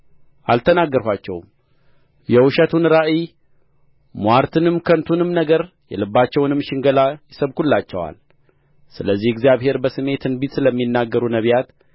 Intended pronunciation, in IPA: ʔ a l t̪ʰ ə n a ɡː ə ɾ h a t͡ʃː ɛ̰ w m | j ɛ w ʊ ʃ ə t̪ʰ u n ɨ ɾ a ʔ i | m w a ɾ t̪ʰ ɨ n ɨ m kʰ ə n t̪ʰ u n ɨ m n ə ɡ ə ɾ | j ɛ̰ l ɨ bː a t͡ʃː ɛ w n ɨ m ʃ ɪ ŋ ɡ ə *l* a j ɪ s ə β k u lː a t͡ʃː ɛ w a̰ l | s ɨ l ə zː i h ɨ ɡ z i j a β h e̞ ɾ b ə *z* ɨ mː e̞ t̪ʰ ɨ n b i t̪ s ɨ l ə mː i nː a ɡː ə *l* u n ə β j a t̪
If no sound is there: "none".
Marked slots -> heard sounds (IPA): l, s, ɾ

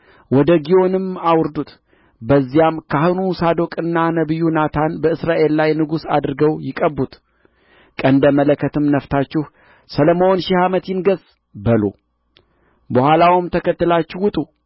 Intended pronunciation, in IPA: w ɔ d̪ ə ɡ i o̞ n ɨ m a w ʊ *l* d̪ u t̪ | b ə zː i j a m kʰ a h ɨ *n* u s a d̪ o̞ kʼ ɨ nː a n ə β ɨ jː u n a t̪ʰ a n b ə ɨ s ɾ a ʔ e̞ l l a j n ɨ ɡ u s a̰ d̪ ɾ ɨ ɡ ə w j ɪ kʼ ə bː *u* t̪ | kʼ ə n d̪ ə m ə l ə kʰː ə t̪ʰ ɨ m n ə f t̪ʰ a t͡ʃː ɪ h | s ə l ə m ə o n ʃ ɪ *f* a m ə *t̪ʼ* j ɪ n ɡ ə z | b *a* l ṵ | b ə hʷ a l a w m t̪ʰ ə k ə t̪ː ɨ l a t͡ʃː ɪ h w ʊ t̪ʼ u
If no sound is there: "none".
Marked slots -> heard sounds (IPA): ɾ, n, u, h, t̪, ə

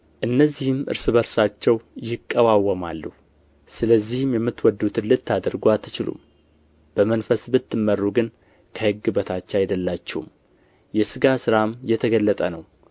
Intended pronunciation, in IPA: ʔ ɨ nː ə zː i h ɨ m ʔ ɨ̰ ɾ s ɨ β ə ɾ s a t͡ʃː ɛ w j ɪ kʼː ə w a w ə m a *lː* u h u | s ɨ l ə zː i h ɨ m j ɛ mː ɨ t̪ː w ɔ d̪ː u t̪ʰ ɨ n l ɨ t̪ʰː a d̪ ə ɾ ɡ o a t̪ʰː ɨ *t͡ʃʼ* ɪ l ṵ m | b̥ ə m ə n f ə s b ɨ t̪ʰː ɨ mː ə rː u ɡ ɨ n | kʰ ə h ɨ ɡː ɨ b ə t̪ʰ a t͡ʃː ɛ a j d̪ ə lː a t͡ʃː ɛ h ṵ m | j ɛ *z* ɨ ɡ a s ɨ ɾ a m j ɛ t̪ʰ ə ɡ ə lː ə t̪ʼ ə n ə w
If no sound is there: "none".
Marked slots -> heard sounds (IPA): lː, t͡ʃ, s

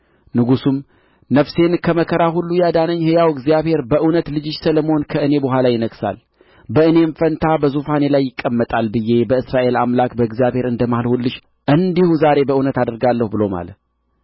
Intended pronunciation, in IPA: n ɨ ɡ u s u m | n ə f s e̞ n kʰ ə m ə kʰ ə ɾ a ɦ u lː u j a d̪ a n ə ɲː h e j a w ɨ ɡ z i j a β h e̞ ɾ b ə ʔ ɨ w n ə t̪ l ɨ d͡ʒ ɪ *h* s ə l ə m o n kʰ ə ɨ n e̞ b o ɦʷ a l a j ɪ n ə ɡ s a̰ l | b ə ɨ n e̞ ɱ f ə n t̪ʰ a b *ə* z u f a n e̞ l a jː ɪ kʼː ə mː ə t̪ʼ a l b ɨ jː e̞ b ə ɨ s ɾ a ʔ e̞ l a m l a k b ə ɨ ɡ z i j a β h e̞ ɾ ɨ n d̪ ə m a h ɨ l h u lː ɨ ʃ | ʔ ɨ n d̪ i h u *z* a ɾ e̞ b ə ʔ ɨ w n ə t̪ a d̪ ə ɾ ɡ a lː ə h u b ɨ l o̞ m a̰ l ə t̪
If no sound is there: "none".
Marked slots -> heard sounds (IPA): ʃ, ə, z

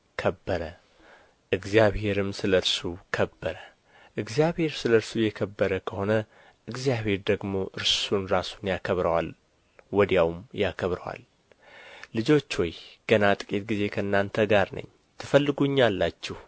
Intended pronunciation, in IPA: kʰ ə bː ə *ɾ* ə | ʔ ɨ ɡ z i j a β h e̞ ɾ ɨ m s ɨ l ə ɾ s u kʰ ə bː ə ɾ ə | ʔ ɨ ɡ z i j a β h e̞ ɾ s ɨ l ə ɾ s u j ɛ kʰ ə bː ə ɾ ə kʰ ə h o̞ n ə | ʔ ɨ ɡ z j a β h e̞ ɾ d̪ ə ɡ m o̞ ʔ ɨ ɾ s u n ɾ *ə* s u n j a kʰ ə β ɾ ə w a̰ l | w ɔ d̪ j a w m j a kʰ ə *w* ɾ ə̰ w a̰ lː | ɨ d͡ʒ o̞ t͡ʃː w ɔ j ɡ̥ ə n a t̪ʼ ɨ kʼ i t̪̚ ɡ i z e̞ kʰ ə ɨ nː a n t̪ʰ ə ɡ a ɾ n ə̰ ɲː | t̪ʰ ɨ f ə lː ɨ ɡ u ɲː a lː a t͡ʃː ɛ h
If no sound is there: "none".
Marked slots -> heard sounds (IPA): ɾ, a, β

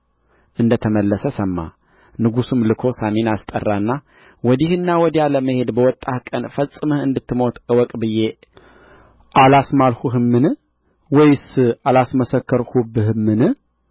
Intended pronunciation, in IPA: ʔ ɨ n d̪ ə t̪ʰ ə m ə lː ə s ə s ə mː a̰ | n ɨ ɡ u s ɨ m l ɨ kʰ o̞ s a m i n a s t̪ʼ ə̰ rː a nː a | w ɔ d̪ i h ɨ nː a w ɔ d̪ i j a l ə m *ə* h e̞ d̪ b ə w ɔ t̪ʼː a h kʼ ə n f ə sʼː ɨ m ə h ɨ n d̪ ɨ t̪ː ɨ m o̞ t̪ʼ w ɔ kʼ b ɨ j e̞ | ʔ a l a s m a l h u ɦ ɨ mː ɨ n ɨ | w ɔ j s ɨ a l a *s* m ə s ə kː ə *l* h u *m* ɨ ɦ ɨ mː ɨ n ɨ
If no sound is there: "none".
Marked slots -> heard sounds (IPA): ə, s, ɾ, b

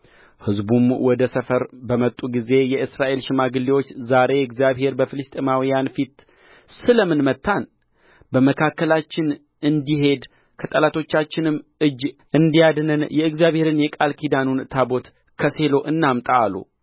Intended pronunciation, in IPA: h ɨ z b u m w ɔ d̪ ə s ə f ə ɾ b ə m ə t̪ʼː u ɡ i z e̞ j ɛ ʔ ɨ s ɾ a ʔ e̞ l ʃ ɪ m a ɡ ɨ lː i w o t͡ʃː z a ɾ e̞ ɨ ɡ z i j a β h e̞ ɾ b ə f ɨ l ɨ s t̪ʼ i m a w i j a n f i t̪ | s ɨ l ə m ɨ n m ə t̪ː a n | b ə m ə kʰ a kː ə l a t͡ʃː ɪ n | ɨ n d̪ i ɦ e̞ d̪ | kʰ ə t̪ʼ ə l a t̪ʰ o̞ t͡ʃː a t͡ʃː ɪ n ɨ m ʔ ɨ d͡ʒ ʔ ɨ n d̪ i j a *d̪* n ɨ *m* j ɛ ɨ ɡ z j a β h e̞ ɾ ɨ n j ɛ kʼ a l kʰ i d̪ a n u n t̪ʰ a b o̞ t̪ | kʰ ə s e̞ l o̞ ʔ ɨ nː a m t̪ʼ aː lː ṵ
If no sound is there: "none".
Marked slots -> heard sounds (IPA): d̪, n

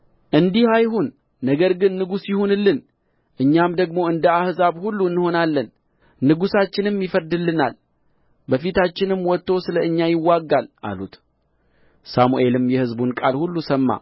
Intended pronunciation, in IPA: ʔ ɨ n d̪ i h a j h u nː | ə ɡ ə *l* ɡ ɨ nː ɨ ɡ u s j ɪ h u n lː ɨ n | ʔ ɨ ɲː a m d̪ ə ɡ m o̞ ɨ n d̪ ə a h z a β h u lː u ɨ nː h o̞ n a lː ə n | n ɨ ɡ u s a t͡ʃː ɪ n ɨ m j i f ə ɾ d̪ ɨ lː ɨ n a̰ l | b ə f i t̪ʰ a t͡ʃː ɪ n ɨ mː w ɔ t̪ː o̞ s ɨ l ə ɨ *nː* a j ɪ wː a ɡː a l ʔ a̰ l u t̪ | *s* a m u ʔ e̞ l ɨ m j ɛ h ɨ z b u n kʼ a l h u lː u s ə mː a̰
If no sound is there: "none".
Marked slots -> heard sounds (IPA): ɾ, ɲː, s

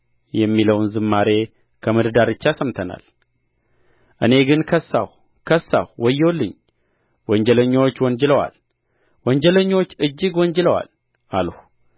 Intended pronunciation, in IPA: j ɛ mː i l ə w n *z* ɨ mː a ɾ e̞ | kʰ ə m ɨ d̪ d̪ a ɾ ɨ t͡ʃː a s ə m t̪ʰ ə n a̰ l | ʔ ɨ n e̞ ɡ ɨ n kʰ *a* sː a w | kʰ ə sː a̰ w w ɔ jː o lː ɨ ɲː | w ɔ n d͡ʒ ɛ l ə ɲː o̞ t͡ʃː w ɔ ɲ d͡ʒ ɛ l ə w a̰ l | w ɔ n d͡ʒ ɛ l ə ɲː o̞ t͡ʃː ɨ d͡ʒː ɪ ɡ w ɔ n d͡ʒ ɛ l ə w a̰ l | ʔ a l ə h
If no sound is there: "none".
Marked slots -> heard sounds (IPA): z, ə

